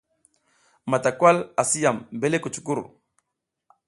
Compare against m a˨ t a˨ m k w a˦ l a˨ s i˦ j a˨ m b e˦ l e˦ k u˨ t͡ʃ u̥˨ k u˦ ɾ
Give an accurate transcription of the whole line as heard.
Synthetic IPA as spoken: m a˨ t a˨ k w a˦ l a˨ s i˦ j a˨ m b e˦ l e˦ k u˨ t͡ʃ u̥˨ k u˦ ɾ